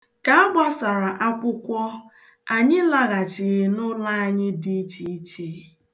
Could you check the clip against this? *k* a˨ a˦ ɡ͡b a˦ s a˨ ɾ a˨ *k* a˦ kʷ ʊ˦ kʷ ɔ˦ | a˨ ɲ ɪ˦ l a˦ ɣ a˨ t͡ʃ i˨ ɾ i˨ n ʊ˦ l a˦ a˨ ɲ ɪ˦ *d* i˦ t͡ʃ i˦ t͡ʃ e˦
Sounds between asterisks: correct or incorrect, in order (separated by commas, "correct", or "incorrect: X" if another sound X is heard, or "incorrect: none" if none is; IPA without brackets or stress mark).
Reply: correct, incorrect: ʔ, correct